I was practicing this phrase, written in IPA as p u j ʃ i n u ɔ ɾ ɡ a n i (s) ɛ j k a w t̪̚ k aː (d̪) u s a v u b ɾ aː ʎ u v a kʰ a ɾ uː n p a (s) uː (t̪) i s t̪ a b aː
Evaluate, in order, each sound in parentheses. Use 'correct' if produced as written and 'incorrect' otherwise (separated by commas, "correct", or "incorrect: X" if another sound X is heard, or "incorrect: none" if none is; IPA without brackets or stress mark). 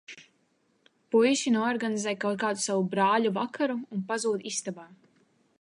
incorrect: z, correct, incorrect: z, incorrect: d̪